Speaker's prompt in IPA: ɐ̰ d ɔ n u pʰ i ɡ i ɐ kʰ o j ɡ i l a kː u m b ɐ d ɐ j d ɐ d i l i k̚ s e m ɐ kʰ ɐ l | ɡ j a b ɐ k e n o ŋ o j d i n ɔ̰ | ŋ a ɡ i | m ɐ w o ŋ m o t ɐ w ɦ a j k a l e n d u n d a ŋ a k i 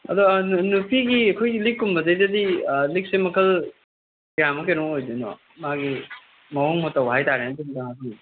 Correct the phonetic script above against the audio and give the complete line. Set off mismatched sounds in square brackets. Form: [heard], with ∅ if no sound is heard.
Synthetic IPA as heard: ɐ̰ d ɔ n u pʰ i ɡ i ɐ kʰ o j ɡ i l [i] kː u m b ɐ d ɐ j d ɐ d i l i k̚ s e m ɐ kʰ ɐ l | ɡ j a [m] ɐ k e n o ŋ o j d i n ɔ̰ | [m] a ɡ i | m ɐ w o ŋ m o t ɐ w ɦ a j [t] a [ɾ] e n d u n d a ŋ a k i